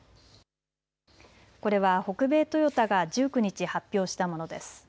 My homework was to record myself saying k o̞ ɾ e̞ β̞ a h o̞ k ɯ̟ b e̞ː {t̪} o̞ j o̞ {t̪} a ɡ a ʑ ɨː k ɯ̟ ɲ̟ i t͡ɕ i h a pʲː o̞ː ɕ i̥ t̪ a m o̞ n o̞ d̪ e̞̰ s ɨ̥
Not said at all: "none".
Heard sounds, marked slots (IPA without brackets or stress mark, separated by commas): t̪, t̪